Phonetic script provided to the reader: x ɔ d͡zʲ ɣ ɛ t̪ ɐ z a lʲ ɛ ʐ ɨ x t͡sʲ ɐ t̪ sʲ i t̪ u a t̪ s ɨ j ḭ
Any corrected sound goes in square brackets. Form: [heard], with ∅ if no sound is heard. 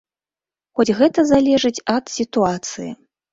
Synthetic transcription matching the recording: x ɔ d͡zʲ ɣ ɛ t̪ ɐ z a lʲ ɛ ʐ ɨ [∅] t͡sʲ ɐ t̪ sʲ i t̪ u a t̪ s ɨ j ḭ